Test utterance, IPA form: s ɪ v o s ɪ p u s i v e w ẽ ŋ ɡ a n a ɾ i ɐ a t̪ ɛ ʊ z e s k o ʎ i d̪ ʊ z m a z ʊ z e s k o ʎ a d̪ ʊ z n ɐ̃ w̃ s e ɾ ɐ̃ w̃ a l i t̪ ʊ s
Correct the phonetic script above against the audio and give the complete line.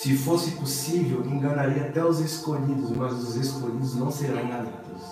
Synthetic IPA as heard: s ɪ f o s ɪ p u s i v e w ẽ ŋ ɡ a n a ɾ i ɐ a t̪ ɛ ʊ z e s k o ʎ i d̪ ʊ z m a z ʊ z e s k o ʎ i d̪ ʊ z n ɐ̃ w̃ s e ɾ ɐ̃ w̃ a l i t̪ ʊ s